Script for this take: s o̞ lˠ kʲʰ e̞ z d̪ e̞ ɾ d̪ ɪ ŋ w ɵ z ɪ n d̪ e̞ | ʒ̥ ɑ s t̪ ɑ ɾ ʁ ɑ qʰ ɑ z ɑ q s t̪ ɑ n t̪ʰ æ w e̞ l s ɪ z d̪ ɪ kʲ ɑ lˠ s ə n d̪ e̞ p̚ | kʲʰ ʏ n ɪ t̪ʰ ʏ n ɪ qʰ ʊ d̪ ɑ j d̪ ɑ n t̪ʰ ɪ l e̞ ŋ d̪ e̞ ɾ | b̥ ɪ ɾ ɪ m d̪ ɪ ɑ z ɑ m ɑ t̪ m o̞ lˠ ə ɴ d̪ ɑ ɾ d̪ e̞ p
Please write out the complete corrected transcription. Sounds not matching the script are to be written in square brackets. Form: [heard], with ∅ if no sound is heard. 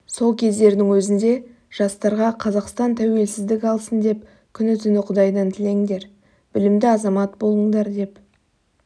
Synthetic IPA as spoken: s o̞ lˠ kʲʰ e̞ z d̪ e̞ ɾ d̪ ɪ ŋ w ɵ z ɪ n d̪ e̞ | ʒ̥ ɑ s t̪ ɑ ɾ ʁ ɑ qʰ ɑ z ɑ q s t̪ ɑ n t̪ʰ æ w e̞ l s ɪ z d̪ ɪ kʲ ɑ lˠ s ə n d̪ e̞ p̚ | kʲʰ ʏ n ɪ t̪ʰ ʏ n ɪ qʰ ʊ d̪ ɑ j d̪ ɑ n t̪ʰ ɪ l e̞ ŋ d̪ e̞ ɾ | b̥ ɪ [l] ɪ m d̪ ɪ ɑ z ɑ m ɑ t̪ [b] o̞ lˠ ə ɴ d̪ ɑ ɾ d̪ e̞ p

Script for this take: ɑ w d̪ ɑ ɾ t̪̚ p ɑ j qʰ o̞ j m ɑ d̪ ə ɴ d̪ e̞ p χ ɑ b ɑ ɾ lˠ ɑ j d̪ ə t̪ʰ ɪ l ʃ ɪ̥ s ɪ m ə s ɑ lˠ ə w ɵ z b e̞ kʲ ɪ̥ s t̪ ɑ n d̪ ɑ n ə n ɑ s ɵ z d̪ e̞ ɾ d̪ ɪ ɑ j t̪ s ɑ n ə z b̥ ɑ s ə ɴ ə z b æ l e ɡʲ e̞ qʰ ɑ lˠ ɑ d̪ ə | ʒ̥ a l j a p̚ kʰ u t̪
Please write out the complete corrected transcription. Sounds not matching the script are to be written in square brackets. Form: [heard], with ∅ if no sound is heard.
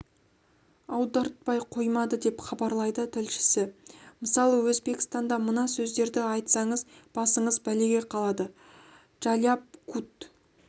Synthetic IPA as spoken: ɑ w d̪ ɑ ɾ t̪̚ p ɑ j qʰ o̞ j m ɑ d̪ ə [∅] d̪ e̞ p χ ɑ b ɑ ɾ lˠ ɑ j d̪ ə t̪ʰ ɪ l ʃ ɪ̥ s ɪ m ə s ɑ lˠ ə w ɵ z b e̞ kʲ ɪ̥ s t̪ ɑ n d̪ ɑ [m] ə n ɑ s ɵ z d̪ e̞ ɾ d̪ ɪ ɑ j t̪ s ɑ [ɴ] ə z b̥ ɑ s ə ɴ ə z b æ l e ɡʲ e̞ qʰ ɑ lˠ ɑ d̪ ə | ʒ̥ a l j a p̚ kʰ u t̪

